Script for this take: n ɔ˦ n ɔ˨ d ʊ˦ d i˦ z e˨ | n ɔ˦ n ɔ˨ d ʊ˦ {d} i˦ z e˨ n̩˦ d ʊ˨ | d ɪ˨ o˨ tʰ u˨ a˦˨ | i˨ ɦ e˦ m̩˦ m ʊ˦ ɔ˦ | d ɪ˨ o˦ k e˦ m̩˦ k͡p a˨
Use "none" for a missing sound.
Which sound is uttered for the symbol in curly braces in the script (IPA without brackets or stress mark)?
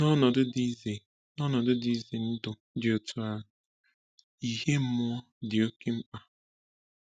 d